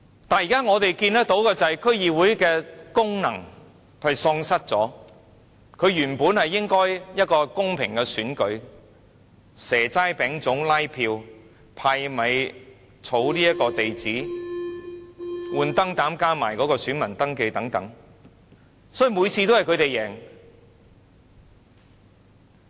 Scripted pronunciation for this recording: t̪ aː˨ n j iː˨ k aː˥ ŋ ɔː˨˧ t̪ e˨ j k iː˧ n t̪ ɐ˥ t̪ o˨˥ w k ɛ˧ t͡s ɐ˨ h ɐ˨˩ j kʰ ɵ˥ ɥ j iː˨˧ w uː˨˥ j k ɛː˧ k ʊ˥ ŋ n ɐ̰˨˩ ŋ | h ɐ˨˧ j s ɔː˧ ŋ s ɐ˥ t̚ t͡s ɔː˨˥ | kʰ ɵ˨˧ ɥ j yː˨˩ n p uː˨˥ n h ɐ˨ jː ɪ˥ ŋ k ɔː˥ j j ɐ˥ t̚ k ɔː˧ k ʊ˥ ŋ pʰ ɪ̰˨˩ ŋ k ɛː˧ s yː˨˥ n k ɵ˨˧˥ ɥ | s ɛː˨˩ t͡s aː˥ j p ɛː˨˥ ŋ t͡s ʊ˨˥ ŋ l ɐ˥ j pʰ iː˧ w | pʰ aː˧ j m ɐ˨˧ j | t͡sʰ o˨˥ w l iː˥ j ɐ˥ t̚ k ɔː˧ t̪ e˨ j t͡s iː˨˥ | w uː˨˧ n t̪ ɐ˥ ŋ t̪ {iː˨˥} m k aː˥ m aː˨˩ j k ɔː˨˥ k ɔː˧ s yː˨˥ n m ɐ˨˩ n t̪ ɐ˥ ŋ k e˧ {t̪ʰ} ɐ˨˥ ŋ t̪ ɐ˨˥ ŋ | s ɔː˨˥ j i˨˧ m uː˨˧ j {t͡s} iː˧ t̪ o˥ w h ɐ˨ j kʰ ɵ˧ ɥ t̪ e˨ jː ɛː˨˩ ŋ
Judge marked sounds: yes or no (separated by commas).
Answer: no, no, no